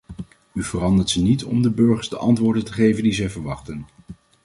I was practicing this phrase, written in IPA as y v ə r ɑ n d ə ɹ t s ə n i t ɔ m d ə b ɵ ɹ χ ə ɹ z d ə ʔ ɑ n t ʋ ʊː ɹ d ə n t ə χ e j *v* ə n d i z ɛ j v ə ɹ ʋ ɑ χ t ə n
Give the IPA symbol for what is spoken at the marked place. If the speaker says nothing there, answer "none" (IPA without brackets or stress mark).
v